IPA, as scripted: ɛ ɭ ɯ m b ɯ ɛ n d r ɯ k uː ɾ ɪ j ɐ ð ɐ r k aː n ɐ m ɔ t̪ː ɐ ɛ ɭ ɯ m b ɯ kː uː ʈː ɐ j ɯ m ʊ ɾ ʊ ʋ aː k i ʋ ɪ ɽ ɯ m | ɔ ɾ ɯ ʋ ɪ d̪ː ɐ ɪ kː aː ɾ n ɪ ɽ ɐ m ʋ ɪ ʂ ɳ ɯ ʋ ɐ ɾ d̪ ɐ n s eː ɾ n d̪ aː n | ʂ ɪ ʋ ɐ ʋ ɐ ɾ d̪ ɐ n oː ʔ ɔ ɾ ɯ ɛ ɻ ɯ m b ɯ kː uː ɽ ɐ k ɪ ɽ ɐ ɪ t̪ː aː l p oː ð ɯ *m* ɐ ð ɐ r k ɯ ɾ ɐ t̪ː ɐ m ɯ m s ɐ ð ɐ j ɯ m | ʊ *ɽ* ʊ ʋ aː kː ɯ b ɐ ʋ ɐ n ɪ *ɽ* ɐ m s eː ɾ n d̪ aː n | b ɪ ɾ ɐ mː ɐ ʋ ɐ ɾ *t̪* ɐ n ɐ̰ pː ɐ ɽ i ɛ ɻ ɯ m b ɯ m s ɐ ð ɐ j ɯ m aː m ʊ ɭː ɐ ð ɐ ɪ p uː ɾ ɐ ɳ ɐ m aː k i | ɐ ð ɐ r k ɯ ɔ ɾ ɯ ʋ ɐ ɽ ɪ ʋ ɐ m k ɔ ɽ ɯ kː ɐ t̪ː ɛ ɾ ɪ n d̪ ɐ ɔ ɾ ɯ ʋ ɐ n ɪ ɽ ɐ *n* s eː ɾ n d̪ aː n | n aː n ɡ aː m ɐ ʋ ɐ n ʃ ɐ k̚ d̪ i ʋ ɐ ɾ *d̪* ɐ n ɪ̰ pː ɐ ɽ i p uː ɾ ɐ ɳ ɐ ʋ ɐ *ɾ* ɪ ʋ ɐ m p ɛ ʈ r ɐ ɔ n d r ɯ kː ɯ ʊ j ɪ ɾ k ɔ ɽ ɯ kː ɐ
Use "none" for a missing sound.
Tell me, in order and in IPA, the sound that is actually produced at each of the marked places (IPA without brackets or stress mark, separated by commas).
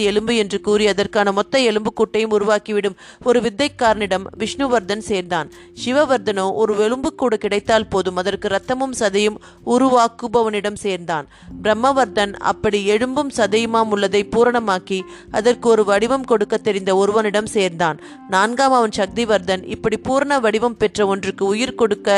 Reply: m, ɾ, ɽ, d̪, m, d̪, ɽ